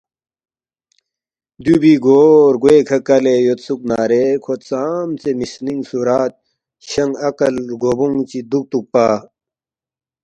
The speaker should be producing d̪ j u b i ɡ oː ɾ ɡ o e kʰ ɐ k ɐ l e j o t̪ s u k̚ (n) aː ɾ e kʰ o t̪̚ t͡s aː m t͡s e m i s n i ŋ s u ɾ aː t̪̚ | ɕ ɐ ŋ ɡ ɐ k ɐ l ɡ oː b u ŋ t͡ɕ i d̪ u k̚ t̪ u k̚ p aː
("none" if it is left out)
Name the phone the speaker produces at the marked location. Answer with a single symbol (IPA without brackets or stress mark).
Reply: n